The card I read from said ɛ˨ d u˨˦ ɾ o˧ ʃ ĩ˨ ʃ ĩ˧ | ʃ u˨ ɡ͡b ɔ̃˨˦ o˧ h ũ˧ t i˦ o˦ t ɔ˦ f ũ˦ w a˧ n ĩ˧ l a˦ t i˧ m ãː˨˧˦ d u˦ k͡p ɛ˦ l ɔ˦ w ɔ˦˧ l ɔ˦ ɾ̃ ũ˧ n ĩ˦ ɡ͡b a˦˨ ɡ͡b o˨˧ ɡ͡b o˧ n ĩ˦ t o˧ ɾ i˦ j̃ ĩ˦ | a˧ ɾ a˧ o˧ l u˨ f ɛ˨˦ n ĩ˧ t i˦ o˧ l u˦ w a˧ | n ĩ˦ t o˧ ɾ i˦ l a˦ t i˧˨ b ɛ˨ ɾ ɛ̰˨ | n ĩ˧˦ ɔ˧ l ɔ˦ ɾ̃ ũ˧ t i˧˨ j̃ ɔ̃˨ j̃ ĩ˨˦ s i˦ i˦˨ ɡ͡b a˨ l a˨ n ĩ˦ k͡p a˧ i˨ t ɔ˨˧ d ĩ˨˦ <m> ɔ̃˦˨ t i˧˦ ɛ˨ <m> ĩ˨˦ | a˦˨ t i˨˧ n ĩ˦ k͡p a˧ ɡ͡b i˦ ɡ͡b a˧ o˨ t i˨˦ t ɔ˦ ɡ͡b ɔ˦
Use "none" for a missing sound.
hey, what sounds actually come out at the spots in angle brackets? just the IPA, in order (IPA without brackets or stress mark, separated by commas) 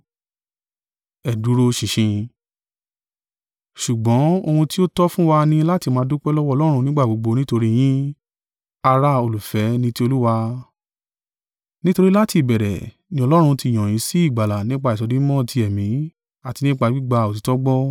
m, m